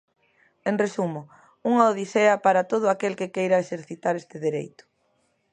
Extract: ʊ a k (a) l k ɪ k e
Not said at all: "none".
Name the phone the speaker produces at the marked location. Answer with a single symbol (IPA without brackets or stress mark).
e